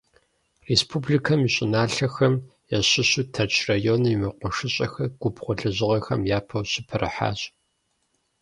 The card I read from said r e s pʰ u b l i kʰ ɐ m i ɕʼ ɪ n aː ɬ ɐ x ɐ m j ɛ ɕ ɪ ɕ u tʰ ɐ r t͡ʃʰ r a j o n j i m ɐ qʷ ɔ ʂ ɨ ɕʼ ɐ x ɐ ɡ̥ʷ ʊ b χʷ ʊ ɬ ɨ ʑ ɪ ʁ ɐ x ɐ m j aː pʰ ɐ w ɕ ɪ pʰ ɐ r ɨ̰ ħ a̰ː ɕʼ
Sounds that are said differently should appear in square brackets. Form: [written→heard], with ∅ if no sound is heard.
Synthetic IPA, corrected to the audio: r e s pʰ u b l i kʰ ɐ m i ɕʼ ɪ n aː ɬ ɐ x ɐ m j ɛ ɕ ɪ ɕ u tʰ ɐ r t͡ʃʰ r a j o n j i m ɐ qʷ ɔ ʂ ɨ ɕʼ ɐ x ɐ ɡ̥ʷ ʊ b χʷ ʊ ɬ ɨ ʑ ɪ ʁ ɐ x ɐ m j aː pʰ ɐ w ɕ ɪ pʰ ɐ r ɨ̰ ħ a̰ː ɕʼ